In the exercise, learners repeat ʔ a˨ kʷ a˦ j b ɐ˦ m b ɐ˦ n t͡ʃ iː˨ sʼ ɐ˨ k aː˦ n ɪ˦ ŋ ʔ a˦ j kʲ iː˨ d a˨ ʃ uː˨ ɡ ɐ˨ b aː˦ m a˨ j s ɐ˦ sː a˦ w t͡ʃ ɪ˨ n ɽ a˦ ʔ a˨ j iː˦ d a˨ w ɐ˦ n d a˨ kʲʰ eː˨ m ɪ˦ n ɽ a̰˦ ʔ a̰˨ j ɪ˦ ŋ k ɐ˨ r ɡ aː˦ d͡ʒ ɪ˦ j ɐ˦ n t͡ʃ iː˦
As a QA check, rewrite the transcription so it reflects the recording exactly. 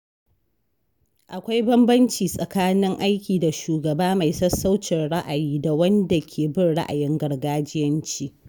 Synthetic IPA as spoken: ʔ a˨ kʷ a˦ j b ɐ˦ m b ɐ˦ n t͡ʃ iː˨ sʼ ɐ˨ k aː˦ n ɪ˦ ŋ ʔ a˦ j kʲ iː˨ d a˨ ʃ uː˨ ɡ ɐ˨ b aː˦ m a˨ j s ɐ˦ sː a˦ w t͡ʃ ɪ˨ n ɽ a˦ ʔ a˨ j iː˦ d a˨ w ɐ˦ n d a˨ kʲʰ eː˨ b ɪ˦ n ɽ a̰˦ ʔ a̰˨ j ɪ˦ ŋ ɡ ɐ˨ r ɡ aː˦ d͡ʒ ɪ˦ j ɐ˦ n t͡ʃ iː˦